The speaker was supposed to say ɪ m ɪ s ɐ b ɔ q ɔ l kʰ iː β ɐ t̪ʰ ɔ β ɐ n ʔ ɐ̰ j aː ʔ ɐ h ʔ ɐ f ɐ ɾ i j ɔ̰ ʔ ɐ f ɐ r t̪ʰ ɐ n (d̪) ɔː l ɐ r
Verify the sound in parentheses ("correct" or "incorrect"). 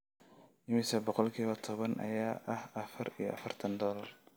correct